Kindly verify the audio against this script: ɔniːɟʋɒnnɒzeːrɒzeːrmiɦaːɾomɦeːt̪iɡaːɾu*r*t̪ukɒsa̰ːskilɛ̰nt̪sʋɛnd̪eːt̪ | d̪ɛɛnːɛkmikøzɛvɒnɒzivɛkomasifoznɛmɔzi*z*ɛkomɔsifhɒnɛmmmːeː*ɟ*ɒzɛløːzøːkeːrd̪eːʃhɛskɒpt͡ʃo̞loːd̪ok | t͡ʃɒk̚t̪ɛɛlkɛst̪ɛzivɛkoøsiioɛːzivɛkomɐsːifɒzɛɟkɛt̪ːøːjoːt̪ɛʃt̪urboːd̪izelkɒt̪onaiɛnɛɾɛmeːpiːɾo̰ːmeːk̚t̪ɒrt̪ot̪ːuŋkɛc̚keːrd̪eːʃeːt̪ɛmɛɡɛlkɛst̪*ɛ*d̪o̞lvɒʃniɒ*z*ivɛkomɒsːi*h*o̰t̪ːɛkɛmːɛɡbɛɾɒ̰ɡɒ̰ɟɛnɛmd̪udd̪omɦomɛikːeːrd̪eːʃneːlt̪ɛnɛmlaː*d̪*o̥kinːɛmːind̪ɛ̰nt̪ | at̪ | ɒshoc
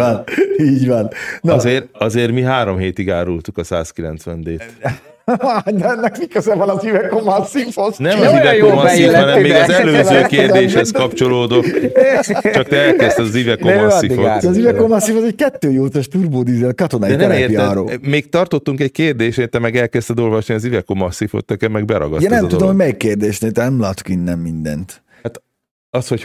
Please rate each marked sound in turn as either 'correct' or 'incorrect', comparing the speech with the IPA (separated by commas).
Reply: incorrect, incorrect, incorrect, correct, correct, incorrect, incorrect